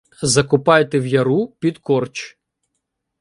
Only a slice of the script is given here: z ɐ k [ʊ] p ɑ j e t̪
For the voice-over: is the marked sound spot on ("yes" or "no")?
yes